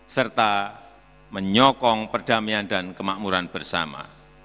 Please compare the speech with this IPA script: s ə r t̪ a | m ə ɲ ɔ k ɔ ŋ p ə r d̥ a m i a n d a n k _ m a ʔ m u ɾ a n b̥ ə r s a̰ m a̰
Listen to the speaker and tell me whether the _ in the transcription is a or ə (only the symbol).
ə